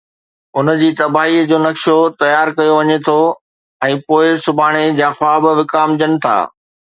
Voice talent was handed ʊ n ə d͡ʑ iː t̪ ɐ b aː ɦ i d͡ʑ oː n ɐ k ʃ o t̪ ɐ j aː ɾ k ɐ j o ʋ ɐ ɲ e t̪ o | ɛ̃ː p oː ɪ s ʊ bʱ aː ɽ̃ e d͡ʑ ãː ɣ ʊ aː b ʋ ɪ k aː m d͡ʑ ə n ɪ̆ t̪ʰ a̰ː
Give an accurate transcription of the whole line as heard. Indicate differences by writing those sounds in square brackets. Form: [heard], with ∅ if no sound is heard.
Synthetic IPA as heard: ʊ n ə d͡ʑ iː t̪ ɐ b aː ɦ i d͡ʑ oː n ɐ k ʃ o t̪ ɐ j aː ɾ k ɐ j o ʋ ɐ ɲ e [t̪ʰ] o | ɛ̃ː p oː ɪ s ʊ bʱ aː ɽ̃ e d͡ʑ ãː [x] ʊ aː b ʋ ɪ k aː m d͡ʑ ə n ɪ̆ t̪ʰ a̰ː